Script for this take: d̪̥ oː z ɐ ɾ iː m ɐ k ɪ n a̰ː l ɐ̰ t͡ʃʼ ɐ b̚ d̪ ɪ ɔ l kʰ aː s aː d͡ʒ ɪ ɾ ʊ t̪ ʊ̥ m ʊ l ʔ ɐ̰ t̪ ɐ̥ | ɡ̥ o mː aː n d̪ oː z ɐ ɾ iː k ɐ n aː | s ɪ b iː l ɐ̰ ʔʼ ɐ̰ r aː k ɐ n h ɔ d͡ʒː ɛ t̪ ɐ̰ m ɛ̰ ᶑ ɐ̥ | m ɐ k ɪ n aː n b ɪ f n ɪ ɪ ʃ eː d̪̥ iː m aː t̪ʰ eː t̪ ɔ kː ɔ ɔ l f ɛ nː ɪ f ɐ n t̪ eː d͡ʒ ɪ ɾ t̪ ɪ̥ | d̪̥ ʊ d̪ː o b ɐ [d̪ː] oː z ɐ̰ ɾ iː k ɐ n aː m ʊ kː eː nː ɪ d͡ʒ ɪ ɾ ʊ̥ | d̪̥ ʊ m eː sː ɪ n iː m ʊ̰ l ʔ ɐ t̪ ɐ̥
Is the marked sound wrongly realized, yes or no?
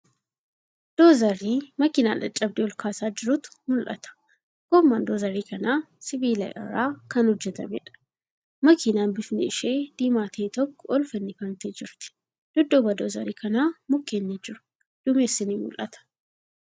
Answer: yes